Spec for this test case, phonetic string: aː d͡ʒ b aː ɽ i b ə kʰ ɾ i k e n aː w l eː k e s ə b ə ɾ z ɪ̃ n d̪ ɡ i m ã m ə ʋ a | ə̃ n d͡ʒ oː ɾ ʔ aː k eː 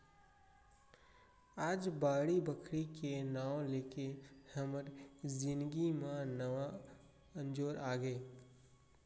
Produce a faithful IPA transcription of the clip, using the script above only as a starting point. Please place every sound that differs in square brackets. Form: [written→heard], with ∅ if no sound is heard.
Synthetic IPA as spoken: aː d͡ʒ b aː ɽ i b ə kʰ ɾ i k e n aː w l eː k e [s→h] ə [b→m] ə ɾ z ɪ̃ n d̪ ɡ i m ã [m→n] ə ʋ a | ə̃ n d͡ʒ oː ɾ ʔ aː [k→ɡ] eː